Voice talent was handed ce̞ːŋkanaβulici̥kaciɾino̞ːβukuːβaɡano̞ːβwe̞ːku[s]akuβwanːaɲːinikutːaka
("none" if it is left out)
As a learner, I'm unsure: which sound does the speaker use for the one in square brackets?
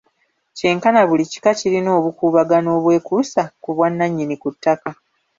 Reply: s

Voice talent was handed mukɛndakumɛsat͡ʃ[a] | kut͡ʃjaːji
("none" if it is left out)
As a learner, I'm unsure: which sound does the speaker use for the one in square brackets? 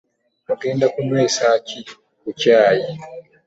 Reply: i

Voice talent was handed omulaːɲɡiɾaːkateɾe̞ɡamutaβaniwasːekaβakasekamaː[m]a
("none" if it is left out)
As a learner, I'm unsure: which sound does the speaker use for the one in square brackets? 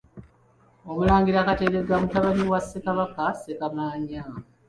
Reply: ɲ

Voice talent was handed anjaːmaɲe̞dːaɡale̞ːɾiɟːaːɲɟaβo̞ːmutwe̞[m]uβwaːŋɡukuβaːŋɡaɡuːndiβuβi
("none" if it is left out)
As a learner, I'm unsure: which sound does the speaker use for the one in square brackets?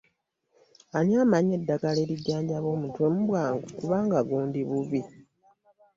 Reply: m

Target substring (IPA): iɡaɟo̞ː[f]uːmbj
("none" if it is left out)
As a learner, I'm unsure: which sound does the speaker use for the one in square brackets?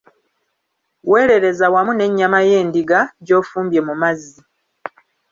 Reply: f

